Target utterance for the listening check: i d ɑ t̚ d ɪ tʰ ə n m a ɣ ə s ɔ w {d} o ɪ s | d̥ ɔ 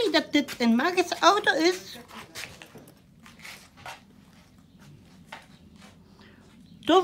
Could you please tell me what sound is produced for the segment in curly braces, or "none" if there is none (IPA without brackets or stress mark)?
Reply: t